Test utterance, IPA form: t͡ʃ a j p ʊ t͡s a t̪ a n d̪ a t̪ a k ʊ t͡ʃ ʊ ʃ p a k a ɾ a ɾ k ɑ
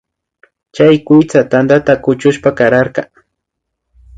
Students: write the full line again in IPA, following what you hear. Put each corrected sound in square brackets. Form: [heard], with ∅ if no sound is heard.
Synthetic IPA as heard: t͡ʃ a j [k] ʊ t͡s a t̪ a n d̪ a t̪ a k ʊ t͡ʃ ʊ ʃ p a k a ɾ a ɾ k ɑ